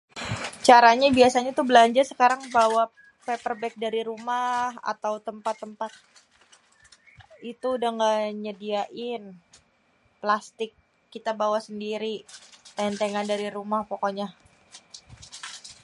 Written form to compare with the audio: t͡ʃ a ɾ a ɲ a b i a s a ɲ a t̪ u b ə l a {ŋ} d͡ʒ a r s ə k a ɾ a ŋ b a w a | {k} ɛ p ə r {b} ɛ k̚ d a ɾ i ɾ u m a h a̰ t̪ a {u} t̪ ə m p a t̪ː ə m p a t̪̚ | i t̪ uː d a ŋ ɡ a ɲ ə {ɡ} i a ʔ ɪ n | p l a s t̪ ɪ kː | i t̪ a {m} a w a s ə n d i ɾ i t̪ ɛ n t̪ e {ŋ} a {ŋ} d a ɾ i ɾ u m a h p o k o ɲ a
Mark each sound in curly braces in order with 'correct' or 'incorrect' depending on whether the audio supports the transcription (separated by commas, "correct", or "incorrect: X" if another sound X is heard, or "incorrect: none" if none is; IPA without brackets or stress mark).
incorrect: ɲ, incorrect: p, correct, incorrect: w, incorrect: d, incorrect: b, correct, incorrect: n